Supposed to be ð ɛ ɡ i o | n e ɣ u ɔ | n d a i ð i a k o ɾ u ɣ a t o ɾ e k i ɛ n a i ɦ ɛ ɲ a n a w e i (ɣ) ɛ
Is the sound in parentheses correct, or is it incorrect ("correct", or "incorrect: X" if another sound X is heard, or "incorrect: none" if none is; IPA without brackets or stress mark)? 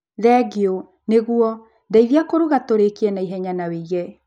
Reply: correct